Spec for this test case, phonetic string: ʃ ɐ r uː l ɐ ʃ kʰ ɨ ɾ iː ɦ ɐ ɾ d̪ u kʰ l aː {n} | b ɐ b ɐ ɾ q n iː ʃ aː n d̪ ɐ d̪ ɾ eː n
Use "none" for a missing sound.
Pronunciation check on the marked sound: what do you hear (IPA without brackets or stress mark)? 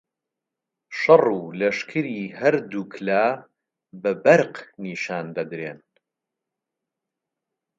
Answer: none